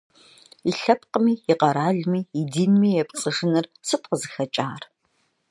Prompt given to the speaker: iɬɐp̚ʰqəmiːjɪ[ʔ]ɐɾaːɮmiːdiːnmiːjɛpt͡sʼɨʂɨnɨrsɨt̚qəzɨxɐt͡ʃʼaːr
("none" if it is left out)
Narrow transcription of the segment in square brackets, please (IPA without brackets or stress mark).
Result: q